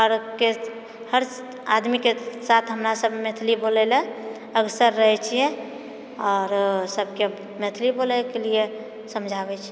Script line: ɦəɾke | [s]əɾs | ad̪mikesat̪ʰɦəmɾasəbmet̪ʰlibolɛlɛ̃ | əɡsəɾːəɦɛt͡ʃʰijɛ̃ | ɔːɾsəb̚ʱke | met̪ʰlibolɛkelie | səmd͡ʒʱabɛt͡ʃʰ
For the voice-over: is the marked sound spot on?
no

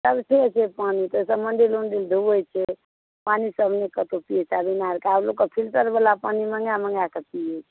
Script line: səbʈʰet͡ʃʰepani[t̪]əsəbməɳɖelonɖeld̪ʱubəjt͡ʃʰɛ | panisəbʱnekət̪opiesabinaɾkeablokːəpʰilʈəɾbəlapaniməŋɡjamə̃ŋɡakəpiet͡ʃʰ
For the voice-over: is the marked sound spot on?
yes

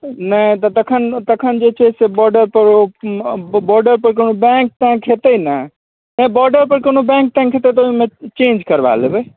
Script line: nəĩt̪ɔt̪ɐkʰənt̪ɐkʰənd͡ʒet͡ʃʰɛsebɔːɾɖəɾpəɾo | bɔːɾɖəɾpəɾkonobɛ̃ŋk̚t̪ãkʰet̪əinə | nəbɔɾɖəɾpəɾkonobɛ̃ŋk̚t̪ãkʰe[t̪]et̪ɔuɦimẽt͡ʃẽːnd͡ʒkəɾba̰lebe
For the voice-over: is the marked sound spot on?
yes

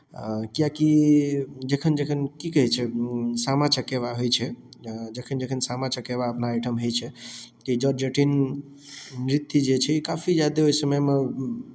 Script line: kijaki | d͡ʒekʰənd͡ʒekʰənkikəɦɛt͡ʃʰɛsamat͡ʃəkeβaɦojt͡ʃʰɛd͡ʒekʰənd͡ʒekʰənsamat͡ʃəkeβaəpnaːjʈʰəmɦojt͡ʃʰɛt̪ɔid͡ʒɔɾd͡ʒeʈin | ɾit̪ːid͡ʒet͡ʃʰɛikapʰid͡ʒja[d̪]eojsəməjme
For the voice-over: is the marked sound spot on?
yes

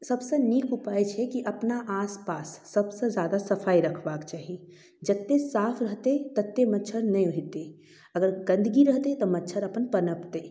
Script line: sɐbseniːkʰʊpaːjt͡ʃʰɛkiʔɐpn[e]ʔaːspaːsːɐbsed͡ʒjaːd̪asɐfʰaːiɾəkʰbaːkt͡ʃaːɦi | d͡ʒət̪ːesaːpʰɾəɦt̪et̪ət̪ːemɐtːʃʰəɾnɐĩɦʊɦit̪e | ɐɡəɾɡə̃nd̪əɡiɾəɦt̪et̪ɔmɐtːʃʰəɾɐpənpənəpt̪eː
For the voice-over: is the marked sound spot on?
no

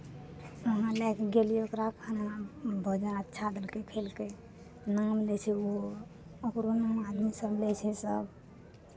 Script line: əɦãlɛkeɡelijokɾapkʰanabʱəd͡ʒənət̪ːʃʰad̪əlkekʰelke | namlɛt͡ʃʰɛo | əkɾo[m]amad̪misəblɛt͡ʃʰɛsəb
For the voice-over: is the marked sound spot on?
no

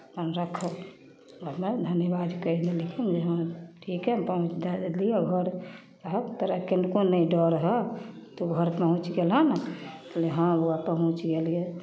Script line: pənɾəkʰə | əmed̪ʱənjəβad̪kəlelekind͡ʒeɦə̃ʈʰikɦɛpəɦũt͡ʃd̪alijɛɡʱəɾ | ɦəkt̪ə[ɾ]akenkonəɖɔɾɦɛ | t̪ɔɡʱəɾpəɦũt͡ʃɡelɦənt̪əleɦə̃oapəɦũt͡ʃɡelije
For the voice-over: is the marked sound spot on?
yes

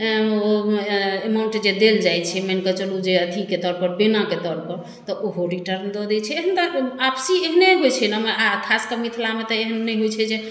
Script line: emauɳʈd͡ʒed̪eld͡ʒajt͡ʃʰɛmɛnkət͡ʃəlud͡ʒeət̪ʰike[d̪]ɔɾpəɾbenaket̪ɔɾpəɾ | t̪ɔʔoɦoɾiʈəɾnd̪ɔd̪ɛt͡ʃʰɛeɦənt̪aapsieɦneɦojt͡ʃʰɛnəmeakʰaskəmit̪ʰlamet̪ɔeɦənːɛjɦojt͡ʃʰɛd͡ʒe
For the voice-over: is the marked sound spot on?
no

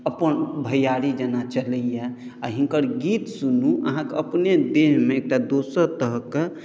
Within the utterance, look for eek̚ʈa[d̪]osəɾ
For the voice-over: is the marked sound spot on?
yes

